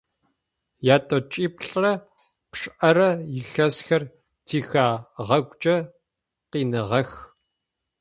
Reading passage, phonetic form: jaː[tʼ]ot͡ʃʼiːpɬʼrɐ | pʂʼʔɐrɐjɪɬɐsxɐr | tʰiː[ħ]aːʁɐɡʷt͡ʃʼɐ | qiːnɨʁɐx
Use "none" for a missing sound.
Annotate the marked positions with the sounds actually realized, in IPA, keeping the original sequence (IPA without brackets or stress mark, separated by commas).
tʼ, x